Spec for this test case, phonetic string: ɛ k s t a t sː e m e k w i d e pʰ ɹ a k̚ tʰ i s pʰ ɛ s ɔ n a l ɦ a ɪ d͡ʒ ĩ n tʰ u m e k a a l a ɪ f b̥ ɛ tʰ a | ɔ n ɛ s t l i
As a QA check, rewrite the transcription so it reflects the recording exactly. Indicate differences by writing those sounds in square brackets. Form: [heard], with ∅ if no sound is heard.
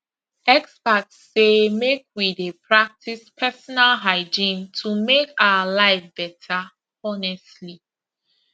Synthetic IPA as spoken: ɛ k s [p] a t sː e m e k w i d e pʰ ɹ a k̚ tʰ i s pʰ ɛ s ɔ n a l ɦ a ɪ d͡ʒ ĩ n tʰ u m e k a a l a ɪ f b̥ ɛ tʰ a | ɔ n ɛ s t l i